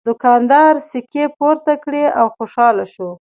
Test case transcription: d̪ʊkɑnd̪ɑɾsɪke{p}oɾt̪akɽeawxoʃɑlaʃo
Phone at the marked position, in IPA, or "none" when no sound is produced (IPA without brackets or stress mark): p